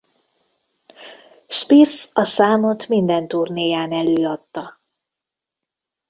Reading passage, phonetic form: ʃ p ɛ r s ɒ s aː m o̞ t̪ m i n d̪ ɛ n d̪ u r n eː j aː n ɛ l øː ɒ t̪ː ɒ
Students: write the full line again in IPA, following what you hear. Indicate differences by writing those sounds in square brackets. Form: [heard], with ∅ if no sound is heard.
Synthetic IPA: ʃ p [i] r s ɒ s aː m o̞ t̪ m i n d̪ ɛ n [t̪] u r n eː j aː n ɛ l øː ɒ t̪ː ɒ